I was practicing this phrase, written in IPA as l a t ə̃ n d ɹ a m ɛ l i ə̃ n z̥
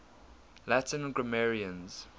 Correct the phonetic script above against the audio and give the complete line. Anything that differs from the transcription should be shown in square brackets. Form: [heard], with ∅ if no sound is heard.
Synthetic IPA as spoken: l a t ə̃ n [ɡ] ɹ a m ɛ [ɹ] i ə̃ n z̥

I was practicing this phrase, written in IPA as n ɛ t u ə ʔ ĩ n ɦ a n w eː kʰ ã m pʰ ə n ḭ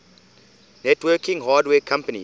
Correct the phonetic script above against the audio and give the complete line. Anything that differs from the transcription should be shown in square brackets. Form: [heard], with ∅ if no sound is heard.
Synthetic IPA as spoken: n ɛ t [w] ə [k] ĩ [ŋ] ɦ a [d] w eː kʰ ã m [p] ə n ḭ

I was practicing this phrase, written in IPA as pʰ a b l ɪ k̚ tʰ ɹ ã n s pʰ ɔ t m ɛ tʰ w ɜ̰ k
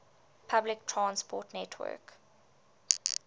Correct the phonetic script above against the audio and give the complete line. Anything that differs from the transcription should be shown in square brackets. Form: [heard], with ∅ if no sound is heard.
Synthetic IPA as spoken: pʰ a b l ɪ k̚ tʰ ɹ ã n s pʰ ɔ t [n] ɛ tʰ w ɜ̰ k

